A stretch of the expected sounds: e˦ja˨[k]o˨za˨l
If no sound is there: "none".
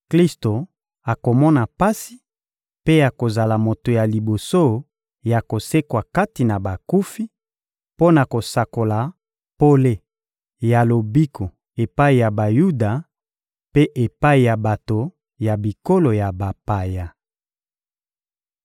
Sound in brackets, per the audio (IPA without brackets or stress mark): k